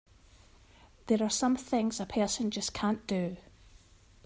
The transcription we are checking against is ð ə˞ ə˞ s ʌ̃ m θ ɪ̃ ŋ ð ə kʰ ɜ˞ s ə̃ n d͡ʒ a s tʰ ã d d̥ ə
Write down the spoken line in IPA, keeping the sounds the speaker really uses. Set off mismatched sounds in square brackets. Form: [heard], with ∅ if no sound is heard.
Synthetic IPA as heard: ð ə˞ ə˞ s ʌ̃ m θ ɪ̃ ŋ [z] ə [pʰ] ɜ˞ s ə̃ n d͡ʒ [ʌ] s [kʰ] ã [n] d̥ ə